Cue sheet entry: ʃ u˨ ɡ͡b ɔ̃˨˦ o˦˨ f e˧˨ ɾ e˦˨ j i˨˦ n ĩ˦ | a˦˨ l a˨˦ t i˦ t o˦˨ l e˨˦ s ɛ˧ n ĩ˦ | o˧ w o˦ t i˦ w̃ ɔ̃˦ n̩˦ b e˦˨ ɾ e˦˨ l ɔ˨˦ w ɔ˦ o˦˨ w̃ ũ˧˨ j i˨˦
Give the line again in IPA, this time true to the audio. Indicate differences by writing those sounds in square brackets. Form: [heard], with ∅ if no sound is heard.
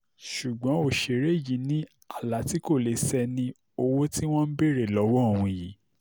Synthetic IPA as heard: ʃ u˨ ɡ͡b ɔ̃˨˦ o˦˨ [ʃ] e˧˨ ɾ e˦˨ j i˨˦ n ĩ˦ | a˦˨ l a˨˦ t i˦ [k] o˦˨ l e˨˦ s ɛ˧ n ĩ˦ | o˧ w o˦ t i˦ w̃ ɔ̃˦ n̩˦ b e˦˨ ɾ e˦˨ l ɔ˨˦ w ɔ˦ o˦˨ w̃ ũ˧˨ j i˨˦